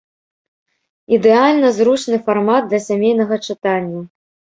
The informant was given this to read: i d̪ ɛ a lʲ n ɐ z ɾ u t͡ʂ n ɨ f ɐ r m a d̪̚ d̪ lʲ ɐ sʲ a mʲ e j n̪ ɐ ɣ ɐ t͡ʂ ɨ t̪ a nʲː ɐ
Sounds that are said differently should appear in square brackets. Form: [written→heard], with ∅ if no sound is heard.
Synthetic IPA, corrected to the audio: i d̪ ɛ a lʲ n ɐ z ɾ u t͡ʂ n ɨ f [ɐ→a] r m a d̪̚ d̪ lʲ ɐ sʲ a mʲ e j n̪ ɐ ɣ ɐ t͡ʂ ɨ t̪ a nʲː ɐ